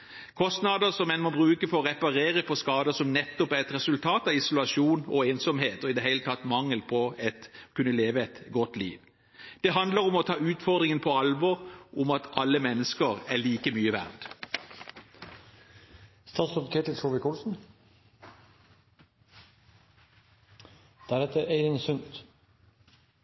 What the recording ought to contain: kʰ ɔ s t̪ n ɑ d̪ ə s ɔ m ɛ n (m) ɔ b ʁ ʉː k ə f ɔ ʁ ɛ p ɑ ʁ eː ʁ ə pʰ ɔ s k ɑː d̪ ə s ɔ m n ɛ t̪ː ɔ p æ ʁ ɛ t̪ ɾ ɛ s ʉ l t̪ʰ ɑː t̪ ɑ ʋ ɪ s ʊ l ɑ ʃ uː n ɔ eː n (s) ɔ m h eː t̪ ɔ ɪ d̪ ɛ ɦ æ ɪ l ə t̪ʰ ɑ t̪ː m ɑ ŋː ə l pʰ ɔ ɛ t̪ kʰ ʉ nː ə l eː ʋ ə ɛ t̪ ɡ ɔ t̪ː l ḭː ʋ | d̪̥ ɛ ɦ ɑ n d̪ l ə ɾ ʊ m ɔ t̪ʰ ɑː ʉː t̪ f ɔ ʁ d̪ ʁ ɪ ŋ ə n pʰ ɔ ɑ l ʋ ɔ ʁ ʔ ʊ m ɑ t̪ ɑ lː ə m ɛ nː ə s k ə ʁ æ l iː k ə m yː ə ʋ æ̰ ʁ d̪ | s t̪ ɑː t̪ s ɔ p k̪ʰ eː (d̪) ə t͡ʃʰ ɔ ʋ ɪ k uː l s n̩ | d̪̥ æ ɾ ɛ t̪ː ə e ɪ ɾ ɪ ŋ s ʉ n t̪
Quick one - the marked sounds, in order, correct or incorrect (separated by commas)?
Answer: correct, correct, incorrect